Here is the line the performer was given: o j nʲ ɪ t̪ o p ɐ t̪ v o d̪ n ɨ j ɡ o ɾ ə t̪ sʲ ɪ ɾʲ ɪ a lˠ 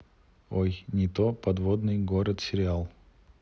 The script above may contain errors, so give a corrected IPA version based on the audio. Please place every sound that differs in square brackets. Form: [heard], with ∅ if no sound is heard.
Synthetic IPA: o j nʲ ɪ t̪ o p ɐ [d̪] v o d̪ n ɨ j ɡ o ɾ ə t̪ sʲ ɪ ɾʲ ɪ a lˠ